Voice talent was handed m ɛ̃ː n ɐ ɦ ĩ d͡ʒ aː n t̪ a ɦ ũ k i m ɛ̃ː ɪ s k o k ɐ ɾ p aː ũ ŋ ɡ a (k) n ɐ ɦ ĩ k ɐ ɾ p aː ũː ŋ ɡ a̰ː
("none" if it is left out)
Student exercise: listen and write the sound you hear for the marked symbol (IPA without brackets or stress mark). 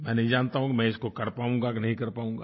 k